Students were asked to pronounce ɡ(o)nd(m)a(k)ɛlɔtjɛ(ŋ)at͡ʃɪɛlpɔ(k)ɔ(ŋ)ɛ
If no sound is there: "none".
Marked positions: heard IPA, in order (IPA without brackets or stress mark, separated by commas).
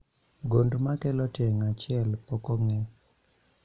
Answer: o, m, k, ŋ, k, ŋ